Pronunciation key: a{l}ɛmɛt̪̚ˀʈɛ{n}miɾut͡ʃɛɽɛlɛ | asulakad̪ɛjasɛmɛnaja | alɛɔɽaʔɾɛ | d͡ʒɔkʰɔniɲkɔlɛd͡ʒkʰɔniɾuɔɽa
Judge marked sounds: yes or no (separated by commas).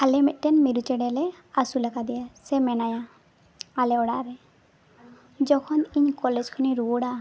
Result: yes, yes